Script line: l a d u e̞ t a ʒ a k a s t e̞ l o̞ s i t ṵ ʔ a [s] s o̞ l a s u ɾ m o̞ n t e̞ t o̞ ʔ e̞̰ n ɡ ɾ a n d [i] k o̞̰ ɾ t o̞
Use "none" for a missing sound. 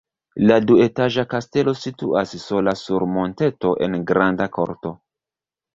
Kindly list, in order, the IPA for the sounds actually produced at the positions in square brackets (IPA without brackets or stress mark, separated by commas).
s, a